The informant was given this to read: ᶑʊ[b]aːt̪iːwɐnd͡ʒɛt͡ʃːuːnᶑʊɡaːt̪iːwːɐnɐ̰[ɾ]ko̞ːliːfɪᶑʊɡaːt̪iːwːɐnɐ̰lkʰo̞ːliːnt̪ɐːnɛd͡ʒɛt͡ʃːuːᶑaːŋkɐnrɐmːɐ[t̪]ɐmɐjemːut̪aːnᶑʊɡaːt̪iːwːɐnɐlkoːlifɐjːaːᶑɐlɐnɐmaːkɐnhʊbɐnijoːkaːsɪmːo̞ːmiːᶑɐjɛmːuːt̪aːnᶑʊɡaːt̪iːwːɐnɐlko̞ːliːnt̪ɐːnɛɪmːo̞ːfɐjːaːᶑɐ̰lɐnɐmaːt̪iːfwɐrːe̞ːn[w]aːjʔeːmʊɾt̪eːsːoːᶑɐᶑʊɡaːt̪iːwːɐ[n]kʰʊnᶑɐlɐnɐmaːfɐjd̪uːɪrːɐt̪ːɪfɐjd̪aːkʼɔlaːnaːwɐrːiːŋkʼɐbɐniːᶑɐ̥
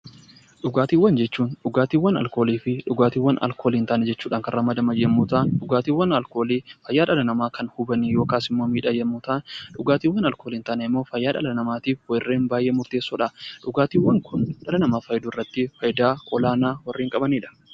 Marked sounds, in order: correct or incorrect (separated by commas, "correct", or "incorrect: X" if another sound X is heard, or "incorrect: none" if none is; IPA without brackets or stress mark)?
incorrect: ɡ, incorrect: l, incorrect: d̪, incorrect: b, incorrect: ŋ